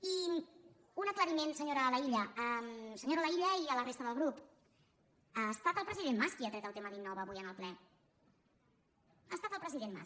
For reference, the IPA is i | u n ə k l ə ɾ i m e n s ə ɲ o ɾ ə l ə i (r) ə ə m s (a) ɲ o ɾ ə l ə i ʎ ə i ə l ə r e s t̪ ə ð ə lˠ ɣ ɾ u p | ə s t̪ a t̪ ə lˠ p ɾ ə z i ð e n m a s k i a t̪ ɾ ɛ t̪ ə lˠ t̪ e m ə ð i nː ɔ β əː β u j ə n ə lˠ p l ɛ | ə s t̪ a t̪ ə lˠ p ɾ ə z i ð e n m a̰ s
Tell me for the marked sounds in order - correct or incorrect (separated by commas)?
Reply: incorrect, incorrect